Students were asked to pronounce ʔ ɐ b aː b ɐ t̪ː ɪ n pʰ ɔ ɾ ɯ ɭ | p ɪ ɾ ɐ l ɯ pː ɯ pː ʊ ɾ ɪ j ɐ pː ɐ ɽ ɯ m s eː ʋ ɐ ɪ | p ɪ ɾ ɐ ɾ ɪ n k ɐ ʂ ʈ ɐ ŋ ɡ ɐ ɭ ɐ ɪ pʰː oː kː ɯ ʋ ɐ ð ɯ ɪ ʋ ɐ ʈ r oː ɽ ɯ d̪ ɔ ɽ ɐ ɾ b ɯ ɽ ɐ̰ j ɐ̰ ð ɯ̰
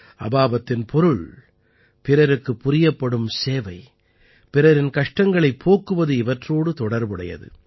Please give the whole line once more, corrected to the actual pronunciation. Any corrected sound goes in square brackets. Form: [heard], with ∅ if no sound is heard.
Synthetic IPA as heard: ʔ ɐ b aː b ɐ t̪ː ɪ n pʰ ɔ ɾ ɯ ɭ | p ɪ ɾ ɐ [ɾ] ɯ [kː] ɯ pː ʊ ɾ ɪ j ɐ pː ɐ ɽ ɯ m s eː ʋ ɐ ɪ | p ɪ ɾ ɐ ɾ ɪ n k ɐ ʂ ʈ ɐ ŋ ɡ ɐ ɭ ɐ ɪ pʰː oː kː ɯ ʋ ɐ ð ɯ ɪ ʋ ɐ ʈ r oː ɽ ɯ [t̪] ɔ ɽ ɐ ɾ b ɯ ɽ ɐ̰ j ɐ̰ ð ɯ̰